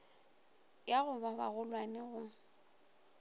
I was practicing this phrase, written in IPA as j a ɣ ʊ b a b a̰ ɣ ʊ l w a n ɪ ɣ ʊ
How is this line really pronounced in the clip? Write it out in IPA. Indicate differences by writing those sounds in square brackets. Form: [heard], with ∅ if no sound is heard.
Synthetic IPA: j a ɣ ʊ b a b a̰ ɣ ʊ l w a n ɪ ɣ ʊ